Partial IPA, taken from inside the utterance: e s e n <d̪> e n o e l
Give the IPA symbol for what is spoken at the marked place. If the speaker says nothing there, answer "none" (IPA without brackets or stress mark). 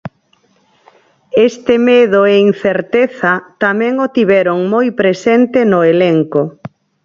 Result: t̪